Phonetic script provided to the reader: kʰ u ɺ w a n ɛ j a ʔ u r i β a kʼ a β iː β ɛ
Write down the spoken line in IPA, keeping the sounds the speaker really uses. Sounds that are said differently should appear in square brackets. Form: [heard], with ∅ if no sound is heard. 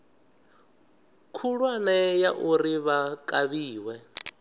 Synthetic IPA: kʰ u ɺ w a n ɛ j a ʔ u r i β a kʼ a β iː [w] ɛ